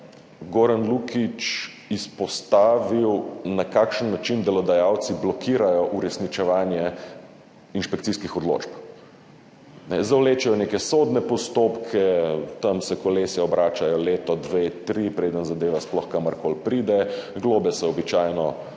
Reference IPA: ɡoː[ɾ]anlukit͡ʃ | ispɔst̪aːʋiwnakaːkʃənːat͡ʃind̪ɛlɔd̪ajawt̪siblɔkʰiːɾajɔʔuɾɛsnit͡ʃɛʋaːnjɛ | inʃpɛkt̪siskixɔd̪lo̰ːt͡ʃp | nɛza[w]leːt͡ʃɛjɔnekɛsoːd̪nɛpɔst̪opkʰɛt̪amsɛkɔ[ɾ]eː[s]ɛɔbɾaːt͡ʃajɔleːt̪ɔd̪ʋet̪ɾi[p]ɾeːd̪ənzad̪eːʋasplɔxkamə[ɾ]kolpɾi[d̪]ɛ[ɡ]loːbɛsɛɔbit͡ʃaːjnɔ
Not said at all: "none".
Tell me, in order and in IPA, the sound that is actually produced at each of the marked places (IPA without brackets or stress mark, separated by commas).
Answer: ɾ, w, l, s, p, ɾ, d̪, ɡ